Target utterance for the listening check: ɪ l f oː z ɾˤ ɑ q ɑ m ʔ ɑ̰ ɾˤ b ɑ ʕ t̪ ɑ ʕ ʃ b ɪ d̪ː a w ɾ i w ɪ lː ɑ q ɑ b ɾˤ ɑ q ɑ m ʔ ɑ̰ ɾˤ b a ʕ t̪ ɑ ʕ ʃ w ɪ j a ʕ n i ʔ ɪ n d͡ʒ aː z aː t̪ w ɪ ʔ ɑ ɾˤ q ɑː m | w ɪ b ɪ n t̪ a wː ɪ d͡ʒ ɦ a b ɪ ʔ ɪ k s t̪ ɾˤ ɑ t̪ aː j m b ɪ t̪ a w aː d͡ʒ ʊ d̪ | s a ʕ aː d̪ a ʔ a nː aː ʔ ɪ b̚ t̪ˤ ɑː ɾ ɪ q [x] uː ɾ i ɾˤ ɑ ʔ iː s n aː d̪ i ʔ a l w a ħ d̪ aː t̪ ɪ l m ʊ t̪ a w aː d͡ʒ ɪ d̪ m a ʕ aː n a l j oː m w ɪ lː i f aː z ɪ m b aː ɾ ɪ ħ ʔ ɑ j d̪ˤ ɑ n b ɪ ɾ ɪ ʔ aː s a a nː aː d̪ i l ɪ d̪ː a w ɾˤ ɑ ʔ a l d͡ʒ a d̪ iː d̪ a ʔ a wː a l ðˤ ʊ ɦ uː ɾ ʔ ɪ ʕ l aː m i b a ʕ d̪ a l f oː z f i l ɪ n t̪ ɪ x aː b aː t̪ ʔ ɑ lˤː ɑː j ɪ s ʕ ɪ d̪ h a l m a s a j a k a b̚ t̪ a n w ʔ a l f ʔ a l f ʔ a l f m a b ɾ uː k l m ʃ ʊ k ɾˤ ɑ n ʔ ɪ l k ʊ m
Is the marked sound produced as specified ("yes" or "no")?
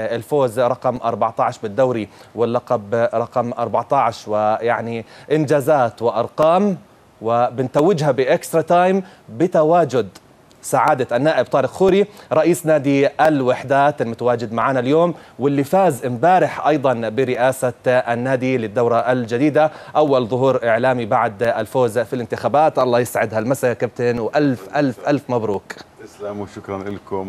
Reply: yes